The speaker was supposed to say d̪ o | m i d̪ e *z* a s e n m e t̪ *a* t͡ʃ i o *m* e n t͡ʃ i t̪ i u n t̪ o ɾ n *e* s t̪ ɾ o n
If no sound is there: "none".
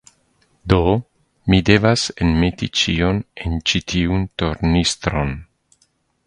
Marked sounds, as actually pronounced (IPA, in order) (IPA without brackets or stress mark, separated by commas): v, i, n, i